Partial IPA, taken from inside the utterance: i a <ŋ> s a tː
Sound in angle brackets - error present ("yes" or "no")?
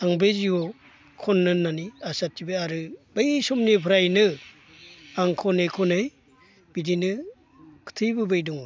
yes